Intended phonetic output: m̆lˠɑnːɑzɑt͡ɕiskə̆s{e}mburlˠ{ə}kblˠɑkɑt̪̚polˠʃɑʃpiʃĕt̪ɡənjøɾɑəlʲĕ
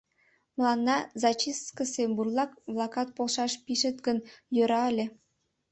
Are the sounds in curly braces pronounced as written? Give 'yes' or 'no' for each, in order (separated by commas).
yes, no